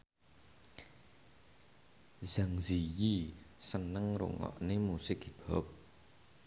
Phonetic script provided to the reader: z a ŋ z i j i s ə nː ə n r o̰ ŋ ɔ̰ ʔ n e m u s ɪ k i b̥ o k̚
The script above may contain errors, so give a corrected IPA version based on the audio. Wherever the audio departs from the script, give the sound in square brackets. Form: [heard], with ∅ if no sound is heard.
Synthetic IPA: z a ŋ z i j i s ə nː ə [ŋ] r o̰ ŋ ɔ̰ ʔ n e m u s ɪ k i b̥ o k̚